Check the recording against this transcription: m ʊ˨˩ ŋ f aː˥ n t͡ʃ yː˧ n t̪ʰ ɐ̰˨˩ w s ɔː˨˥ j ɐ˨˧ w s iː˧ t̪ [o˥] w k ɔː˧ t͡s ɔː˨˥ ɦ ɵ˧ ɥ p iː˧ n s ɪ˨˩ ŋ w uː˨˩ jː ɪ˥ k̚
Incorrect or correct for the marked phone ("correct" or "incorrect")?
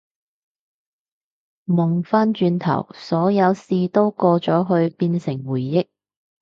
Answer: correct